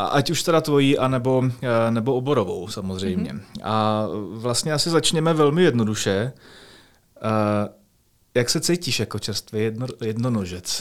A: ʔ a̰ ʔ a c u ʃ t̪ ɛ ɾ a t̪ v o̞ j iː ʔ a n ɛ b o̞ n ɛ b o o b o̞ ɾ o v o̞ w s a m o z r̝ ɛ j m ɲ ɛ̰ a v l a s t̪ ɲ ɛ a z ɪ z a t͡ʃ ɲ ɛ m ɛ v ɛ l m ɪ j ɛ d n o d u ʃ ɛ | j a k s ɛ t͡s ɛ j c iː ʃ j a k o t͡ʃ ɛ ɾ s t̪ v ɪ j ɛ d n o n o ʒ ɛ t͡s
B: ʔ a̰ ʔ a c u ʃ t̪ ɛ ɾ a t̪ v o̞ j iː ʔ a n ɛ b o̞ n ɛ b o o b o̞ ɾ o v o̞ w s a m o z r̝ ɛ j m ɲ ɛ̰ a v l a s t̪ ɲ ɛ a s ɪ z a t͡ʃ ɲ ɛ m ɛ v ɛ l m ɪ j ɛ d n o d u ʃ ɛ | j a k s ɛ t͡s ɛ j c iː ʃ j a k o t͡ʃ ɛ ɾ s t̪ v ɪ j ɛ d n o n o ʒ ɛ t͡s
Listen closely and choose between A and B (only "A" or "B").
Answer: B